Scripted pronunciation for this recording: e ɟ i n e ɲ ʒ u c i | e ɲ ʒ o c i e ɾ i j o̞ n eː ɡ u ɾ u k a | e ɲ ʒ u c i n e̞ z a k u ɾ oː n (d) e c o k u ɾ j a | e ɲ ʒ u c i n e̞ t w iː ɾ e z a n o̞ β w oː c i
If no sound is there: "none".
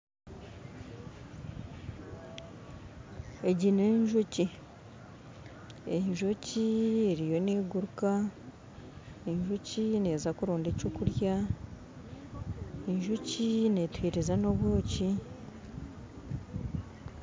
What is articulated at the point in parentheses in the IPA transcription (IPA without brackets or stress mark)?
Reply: d